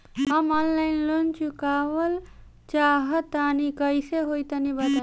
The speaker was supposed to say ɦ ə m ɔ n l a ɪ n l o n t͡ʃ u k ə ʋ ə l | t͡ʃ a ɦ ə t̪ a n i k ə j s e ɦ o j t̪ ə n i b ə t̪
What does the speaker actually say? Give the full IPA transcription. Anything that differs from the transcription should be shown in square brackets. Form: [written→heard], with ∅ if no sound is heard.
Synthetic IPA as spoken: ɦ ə m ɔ n l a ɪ n l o n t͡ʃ u k [ə→a] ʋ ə l | t͡ʃ a ɦ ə t̪ a n i k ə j s e ɦ o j t̪ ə n i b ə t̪